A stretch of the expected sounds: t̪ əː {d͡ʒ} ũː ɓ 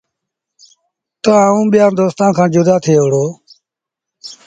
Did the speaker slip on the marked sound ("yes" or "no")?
yes